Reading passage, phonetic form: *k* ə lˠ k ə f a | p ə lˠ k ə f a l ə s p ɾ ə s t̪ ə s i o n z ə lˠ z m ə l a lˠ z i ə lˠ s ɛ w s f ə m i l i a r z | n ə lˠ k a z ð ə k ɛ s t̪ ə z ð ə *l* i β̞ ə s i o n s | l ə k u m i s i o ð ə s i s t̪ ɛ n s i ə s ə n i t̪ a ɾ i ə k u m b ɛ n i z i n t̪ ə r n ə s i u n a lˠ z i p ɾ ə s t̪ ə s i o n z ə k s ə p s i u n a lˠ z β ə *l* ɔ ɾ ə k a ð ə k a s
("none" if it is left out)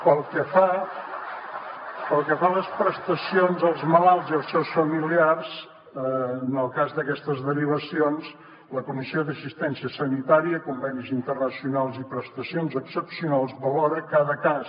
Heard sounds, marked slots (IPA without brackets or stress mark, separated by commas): p, ɾ, l